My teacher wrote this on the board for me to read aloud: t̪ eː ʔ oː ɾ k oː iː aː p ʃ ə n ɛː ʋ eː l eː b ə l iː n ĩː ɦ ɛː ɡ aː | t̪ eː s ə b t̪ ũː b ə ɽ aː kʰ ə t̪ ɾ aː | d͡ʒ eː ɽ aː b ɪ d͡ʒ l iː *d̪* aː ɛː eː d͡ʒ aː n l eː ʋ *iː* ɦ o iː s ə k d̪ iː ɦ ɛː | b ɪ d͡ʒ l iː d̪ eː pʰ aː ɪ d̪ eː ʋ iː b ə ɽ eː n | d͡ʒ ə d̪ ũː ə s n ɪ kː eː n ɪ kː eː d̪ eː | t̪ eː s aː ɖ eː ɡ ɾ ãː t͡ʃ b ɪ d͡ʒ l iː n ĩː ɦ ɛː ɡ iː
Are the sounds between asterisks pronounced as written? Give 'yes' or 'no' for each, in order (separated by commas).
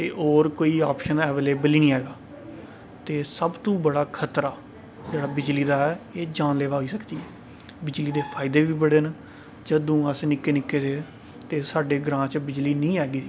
yes, no